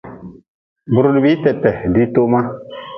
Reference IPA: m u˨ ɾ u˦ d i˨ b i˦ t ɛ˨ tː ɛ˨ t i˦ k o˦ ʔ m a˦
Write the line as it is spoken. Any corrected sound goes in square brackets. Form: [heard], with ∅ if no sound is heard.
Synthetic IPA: [b] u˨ ɾ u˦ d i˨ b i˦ t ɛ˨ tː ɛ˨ [d] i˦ [t] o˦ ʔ m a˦